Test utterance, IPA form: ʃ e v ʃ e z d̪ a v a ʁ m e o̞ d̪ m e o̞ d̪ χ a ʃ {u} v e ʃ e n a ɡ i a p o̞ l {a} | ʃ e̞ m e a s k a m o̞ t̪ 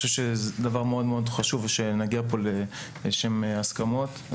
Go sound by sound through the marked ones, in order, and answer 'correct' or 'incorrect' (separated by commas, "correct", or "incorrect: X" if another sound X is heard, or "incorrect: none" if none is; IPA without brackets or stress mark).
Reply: correct, incorrect: e